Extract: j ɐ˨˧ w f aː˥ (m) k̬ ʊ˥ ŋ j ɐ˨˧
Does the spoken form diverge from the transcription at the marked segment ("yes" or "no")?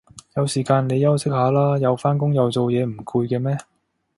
yes